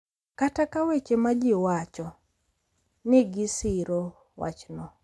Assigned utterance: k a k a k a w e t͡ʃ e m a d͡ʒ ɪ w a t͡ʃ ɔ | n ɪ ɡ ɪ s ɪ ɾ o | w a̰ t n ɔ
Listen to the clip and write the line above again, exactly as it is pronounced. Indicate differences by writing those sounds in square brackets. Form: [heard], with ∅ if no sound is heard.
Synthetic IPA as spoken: k a [t] a k a w e t͡ʃ e m a d͡ʒ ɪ w a t͡ʃ ɔ | n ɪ ɡ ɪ s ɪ ɾ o | w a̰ [t͡ʃ] n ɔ